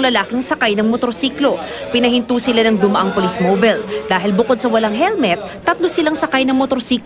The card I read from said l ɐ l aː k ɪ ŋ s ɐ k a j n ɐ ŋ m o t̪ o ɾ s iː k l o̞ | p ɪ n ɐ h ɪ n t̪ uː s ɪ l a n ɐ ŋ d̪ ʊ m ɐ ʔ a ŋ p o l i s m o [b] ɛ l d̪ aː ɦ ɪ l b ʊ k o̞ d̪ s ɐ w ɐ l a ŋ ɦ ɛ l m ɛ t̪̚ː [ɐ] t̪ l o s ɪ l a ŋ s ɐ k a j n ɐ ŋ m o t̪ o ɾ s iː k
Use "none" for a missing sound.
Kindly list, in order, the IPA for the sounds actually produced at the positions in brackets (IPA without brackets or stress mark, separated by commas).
b, ɐ